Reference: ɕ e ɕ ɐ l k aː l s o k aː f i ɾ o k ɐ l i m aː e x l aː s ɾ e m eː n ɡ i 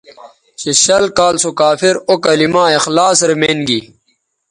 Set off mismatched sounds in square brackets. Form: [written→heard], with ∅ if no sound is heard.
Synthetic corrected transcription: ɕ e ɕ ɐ l k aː l s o k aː f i ɾ o k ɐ l i m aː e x l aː s ɾ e m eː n ɡ i